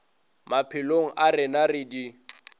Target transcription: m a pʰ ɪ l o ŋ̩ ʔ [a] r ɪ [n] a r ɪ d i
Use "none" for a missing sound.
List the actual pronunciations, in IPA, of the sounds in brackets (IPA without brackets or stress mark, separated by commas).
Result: a, n